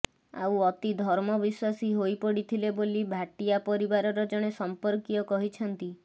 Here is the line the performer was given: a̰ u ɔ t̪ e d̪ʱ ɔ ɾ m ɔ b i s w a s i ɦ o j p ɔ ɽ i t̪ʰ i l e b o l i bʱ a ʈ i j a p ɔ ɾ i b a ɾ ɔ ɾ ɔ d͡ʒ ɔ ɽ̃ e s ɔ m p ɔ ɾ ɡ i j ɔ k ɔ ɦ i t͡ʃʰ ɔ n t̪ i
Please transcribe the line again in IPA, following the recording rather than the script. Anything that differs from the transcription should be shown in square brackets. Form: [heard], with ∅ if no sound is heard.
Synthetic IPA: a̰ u ɔ t̪ [i] d̪ʱ ɔ ɾ m ɔ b i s w a s i ɦ o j p ɔ ɽ i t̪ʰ i l e b o l i bʱ a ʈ i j a p ɔ ɾ i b a ɾ ɔ ɾ ɔ d͡ʒ ɔ ɽ̃ e s ɔ m p ɔ ɾ [k] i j ɔ k ɔ ɦ i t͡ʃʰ ɔ n t̪ i